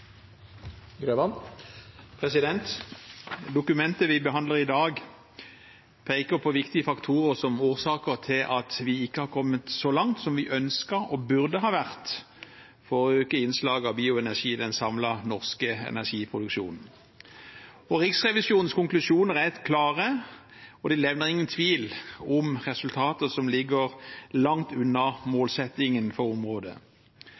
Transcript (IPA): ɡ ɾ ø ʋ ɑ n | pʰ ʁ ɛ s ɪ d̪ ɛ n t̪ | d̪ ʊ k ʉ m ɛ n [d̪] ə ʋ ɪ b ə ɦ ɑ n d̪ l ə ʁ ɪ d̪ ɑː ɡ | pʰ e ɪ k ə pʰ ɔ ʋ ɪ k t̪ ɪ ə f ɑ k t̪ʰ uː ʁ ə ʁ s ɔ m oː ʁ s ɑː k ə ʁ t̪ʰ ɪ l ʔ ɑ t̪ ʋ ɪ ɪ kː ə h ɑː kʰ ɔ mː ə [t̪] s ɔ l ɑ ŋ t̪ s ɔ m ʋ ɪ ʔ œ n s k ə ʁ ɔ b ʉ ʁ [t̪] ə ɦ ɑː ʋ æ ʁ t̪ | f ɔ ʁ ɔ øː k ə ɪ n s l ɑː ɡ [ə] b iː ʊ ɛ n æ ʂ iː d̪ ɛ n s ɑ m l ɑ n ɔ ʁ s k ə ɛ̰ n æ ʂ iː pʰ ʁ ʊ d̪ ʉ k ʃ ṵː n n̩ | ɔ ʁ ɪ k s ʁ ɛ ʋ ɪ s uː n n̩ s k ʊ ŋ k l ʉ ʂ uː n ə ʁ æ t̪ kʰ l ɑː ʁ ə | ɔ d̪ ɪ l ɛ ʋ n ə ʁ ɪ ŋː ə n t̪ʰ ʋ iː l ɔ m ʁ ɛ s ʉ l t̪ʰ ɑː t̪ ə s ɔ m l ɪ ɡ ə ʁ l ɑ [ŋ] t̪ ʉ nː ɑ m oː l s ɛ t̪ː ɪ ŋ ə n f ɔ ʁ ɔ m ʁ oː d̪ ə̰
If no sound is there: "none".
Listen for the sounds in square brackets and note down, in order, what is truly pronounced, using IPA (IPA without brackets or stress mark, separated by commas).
t̪, t̪, d̪, ɑ, ŋ